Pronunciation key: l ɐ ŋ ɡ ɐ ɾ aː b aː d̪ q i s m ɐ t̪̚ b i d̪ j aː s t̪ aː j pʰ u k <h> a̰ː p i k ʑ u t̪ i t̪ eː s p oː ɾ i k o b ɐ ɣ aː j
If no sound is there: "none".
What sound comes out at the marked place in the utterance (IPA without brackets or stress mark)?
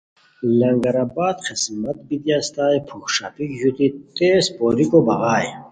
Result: ʂ